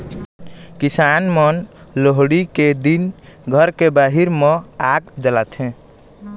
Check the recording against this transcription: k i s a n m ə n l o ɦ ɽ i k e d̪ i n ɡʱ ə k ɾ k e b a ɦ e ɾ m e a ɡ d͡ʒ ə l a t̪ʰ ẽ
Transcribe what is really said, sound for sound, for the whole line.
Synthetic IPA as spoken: k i s a n m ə n l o ɦ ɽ i k e d̪ i n ɡʱ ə ɾ k e b a ɦ i ɾ m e a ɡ d͡ʒ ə l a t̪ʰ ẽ